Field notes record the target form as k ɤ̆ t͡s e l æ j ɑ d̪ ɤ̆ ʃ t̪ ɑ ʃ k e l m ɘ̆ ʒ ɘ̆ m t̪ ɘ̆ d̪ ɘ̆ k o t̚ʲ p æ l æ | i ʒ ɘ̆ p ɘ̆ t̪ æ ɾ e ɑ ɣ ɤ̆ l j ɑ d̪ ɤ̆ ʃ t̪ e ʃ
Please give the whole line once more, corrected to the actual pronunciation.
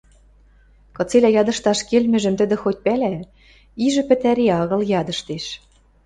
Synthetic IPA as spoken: k ɤ̆ t͡s e l æ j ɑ d̪ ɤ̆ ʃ t̪ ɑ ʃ k e l m ɘ̆ ʒ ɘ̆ m t̪ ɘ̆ d̪ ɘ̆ x o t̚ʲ p æ l æ | i ʒ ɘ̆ p ɘ̆ t̪ æ ɾ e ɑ ɣ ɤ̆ l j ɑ d̪ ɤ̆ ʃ t̪ e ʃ

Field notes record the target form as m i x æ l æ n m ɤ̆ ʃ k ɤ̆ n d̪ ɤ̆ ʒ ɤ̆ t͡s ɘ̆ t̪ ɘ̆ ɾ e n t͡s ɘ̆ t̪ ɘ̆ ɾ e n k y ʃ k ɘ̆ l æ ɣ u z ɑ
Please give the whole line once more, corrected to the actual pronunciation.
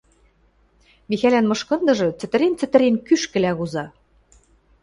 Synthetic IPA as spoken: m i x æ l æ n m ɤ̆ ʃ k ɤ̆ n d̪ ɤ̆ ʒ ɤ̆ t͡s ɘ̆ t̪ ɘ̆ ɾ e n t͡s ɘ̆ t̪ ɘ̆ ɾ e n k y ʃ k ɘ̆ l æ ɣ u z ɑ

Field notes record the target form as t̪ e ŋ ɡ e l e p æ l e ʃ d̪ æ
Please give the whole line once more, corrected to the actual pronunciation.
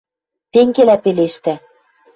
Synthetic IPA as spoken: t̪ e ŋ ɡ e l æ p e l e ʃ t̪ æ

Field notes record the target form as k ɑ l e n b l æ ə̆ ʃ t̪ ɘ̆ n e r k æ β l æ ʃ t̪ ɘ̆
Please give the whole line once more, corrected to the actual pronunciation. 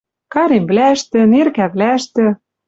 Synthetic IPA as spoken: k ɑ ɾ e m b l æ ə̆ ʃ t̪ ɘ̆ n e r k æ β l æ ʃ t̪ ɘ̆

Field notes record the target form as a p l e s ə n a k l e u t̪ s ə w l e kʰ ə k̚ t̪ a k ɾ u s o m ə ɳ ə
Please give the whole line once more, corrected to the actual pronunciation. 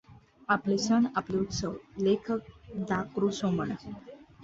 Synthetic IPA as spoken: a p l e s ə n a p l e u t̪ s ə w l e kʰ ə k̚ d̪ a k ɾ u s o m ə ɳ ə

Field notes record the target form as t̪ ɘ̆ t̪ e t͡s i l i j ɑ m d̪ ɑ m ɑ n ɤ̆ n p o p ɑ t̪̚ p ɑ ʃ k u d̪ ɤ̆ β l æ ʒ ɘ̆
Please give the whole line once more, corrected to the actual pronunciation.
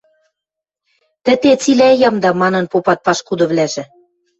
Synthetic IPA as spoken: t̪ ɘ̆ t̪ e t͡s i l æ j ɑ m d̪ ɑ m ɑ n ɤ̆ n p o p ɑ t̪̚ p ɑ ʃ k u d̪ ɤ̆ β l æ ʒ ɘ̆

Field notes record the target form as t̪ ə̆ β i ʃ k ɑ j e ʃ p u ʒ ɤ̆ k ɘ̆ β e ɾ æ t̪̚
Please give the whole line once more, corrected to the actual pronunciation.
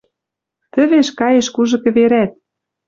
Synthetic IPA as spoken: t̪ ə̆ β e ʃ k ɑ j e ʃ k u ʒ ɤ̆ k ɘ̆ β e ɾ æ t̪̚

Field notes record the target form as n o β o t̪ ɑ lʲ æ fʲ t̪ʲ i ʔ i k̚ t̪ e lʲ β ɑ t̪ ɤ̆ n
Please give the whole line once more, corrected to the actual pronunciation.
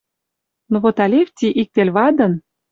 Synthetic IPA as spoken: n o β o t̪ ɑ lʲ e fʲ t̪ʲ i ʔ i k̚ t̪ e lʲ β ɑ d̪ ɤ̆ n

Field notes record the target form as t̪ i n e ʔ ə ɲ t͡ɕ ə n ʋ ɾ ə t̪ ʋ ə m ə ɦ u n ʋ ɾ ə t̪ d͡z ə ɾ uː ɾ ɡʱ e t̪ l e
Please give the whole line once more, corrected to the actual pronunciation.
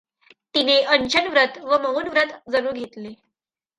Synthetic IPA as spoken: t̪ i n e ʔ ə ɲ t͡ɕ ə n ʋ ɾ ə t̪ ʋ ə m ə ɦ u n ʋ ɾ ə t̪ d͡z ə ɾ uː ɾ ɡʱ e t̪ l e

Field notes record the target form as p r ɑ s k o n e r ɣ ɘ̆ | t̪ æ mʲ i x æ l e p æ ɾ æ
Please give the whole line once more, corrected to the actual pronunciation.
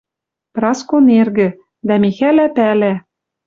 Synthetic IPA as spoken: p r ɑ s k o n e r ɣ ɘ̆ | d̪ æ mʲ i x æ l æ p æ l æ

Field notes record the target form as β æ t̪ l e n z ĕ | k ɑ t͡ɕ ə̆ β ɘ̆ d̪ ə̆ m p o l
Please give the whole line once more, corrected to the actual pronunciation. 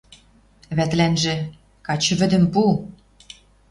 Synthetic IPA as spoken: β æ t̪ l æ n ʒ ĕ | k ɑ t͡ɕ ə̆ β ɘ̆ d̪ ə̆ m p u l

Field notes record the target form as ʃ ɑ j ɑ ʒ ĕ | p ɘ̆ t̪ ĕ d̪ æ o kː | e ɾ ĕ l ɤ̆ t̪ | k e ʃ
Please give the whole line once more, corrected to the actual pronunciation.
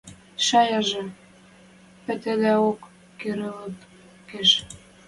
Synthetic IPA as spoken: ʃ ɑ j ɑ ʒ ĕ | p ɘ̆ t̪ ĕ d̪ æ o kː | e ɾ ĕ l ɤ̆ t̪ | k e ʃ

